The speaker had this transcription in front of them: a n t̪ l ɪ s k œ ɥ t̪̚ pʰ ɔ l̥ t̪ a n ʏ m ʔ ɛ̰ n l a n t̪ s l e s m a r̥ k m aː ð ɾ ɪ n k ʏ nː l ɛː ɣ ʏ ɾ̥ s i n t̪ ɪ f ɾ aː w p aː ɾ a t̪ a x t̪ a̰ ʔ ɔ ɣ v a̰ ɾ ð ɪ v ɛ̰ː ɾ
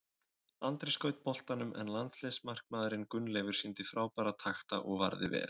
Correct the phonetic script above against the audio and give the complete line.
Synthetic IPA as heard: a n t̪ ɾ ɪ s k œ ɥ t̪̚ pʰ ɔ l̥ t̪ a n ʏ m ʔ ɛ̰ n l a n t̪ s l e s m a r̥ k m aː ð ɾ ɪ n k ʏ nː l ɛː v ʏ ɾ̥ s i n t̪ ɪ f ɾ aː w p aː ɾ a t̪ʰ a x t̪ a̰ ʔ ɔ ɣ v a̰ ɾ ð ɪ v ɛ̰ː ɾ